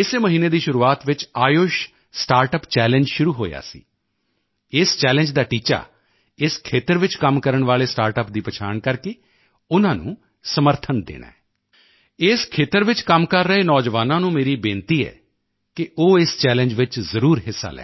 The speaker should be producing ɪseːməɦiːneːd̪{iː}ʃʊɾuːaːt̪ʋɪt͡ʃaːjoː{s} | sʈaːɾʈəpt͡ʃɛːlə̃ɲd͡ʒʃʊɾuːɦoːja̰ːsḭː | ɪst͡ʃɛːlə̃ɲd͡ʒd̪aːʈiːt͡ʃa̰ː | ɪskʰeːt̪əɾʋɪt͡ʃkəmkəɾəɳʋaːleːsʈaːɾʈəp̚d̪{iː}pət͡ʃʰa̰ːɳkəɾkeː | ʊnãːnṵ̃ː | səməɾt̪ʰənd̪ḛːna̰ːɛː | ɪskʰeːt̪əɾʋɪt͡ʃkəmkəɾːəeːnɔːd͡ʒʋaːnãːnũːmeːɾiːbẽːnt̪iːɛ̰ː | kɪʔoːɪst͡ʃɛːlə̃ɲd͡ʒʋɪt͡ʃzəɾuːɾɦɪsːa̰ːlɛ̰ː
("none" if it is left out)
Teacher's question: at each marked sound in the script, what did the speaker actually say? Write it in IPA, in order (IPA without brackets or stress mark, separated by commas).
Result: iː, ʃ, iː